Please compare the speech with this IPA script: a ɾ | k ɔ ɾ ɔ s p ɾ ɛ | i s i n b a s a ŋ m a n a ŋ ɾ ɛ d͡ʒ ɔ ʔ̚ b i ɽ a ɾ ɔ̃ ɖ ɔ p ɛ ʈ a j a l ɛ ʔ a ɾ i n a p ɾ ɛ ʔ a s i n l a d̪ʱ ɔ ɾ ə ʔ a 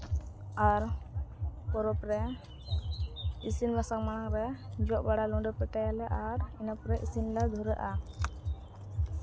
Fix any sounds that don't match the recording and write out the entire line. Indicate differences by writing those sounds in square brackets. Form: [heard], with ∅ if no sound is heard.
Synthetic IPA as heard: a ɾ | [p] ɔ ɾ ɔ [∅] p ɾ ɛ | i s i n b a s a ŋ m a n a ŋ ɾ ɛ d͡ʒ ɔ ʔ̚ b [a] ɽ a [l] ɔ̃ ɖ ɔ p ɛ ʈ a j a l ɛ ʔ a ɾ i n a p ɾ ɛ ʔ [i] s i n l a d̪ʱ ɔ ɾ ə ʔ a